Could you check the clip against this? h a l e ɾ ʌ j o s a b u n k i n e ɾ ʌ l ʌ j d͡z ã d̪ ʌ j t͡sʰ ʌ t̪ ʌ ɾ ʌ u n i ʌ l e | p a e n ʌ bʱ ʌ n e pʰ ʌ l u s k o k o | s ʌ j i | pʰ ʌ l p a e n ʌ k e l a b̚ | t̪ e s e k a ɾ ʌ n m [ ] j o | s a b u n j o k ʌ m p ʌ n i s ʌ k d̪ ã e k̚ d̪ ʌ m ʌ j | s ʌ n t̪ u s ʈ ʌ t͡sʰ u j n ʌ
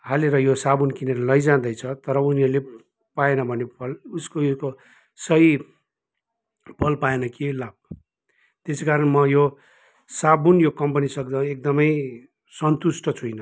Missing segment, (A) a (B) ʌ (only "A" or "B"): B